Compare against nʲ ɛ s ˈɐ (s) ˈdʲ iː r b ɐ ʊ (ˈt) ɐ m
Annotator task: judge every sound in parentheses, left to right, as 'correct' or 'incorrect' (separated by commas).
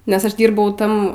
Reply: incorrect, correct